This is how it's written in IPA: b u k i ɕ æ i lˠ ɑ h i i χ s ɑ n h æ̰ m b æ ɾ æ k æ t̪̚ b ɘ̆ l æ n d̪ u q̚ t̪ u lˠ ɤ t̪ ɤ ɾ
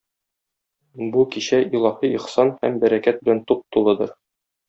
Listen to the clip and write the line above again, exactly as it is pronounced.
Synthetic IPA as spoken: b u k i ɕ æ i lˠ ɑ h i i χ s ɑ n h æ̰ m b æ ɾ æ k æ t̪̚ b ɘ̆ l æ n t̪ u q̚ t̪ u lˠ ɤ d̪ ɤ ɾ